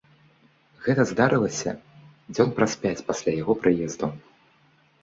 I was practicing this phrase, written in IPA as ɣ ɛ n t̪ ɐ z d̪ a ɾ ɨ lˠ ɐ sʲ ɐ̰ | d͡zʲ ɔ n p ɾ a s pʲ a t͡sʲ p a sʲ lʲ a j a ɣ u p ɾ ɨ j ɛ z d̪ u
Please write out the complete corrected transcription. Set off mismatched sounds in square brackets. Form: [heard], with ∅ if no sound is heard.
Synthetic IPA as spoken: ɣ ɛ [∅] t̪ ɐ z d̪ a ɾ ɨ lˠ ɐ sʲ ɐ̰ | d͡zʲ ɔ n p ɾ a s pʲ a t͡sʲ p a sʲ lʲ a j a ɣ [ɔ] p ɾ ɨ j ɛ z d̪ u